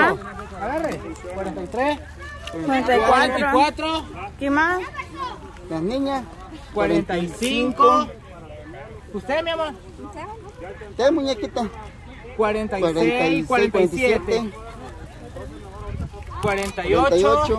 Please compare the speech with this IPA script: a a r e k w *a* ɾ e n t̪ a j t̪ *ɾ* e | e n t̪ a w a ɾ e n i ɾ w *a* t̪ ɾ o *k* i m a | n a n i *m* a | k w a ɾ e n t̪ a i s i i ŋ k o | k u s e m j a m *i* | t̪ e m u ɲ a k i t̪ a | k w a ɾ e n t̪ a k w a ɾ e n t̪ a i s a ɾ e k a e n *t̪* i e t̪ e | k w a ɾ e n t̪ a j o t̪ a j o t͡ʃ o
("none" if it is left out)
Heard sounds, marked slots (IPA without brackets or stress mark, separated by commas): a, ɾ, a, k, ɲ, a, t̪